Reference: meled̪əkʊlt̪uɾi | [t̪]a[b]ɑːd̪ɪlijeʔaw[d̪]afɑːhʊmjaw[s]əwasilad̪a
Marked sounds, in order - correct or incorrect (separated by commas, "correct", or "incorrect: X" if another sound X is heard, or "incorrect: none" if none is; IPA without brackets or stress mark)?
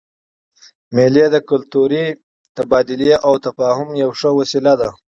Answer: correct, correct, incorrect: t̪, incorrect: ʂ